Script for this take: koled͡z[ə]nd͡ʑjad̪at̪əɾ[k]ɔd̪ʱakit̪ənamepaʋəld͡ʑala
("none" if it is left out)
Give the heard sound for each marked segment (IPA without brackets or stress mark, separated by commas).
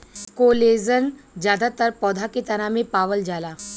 ə, p